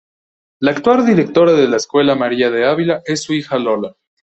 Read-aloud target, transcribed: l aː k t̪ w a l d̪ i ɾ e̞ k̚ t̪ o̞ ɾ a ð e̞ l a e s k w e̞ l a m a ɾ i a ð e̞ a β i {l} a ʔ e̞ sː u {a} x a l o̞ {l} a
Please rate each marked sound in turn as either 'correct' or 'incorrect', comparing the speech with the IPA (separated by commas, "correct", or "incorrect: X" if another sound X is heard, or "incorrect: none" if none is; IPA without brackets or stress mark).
correct, incorrect: i, correct